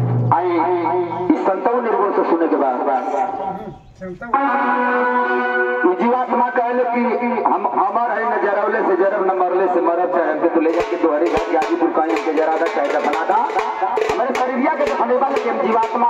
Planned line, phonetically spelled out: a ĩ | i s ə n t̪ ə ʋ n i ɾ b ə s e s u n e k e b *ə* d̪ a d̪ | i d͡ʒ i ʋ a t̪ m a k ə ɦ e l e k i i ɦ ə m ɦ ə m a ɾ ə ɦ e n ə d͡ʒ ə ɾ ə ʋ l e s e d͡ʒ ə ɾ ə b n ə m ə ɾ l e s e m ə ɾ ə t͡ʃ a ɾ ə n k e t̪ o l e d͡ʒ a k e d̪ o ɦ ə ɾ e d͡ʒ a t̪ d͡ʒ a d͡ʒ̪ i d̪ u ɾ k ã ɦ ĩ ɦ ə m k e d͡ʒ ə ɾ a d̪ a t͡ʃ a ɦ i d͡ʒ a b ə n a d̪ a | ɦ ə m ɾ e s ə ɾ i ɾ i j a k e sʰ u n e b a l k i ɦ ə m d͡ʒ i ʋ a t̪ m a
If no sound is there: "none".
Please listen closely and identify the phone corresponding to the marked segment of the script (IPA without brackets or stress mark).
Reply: a